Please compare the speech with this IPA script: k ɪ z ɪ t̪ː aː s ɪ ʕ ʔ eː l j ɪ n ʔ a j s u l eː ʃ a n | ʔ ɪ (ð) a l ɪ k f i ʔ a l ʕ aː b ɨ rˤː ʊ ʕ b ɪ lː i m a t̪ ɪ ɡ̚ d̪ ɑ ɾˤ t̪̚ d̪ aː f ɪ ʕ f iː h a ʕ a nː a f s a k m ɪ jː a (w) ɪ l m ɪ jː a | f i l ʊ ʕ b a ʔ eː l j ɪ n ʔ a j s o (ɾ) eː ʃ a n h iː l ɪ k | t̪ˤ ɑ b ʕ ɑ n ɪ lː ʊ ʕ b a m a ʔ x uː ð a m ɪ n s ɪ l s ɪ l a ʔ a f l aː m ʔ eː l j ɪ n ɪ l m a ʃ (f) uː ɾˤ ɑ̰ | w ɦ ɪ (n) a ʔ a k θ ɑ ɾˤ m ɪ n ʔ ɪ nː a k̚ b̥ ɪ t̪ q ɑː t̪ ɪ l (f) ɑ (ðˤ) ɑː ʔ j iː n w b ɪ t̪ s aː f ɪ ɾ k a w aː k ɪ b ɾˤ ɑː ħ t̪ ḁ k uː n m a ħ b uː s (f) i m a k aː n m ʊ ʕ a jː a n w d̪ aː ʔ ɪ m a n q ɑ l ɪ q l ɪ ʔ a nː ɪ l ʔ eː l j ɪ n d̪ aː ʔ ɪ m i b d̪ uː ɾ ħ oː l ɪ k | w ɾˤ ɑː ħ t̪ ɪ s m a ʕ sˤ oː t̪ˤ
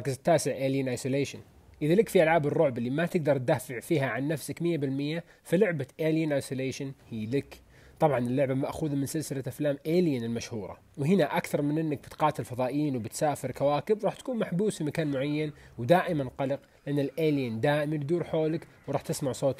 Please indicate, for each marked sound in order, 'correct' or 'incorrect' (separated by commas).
correct, incorrect, incorrect, incorrect, correct, correct, correct, correct